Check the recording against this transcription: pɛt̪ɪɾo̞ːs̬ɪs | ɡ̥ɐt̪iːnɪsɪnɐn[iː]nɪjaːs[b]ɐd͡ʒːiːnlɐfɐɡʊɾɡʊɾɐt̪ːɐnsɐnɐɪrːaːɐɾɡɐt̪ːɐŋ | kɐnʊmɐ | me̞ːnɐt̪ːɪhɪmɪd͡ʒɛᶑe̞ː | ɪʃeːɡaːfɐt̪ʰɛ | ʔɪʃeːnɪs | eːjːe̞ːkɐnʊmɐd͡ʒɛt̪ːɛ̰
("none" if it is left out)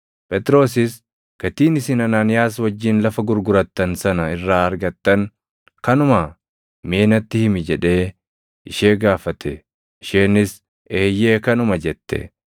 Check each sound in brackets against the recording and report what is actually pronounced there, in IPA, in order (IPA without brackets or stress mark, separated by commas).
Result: aː, w